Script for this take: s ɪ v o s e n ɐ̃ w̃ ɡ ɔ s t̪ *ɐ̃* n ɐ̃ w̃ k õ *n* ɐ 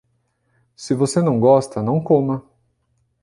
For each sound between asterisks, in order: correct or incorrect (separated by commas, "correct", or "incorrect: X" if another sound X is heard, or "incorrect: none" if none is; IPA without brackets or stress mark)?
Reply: incorrect: ɐ, incorrect: m